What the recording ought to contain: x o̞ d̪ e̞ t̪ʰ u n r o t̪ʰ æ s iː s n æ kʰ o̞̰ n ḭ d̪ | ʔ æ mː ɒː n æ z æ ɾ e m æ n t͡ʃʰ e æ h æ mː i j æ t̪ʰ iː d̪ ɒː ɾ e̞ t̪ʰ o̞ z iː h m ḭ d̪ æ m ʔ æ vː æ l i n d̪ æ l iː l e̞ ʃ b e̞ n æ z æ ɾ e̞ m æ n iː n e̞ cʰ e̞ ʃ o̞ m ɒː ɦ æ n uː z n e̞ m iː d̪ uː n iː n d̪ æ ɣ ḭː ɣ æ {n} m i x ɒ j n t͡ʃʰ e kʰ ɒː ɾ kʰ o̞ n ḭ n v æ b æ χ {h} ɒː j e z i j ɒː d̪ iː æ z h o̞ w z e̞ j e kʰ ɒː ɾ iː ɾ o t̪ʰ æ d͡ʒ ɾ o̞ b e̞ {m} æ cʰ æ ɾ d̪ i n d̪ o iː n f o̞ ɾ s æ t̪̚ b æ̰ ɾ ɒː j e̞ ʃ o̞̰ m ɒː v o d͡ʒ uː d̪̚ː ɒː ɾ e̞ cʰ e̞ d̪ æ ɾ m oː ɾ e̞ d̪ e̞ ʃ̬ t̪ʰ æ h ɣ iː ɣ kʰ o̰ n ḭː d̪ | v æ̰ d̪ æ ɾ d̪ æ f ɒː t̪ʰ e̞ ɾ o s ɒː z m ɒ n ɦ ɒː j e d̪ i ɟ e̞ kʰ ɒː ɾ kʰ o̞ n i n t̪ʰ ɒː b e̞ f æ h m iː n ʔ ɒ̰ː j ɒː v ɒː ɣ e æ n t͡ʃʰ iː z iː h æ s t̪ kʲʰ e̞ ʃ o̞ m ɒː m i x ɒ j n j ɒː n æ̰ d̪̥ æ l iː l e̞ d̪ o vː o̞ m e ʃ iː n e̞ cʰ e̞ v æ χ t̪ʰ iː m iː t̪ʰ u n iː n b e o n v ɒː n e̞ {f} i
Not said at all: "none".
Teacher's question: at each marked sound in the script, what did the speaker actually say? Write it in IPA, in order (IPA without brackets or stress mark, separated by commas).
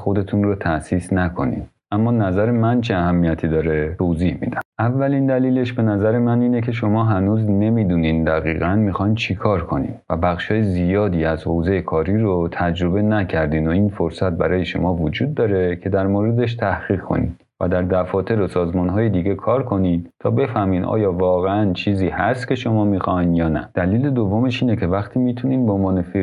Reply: n, ʃ, n, f